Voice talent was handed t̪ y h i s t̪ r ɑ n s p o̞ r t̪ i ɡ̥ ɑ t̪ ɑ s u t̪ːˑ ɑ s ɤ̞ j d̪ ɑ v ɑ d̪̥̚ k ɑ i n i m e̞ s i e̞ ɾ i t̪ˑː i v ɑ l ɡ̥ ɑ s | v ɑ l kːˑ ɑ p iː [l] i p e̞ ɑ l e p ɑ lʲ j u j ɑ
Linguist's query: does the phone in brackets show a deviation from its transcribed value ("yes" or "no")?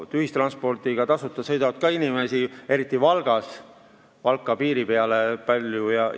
yes